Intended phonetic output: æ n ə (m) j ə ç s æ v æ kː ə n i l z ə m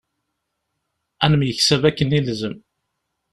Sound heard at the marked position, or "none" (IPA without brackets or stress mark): m